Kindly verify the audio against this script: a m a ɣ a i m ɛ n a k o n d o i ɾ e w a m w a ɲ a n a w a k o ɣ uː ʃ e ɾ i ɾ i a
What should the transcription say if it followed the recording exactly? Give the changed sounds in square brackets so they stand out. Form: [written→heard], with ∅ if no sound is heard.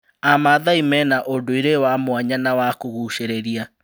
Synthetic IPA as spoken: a m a [ɣ→ð] a i m ɛ n a [k→ʔ] o n d o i ɾ e w a m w a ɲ a n a w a k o ɣ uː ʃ e ɾ [i→e] ɾ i a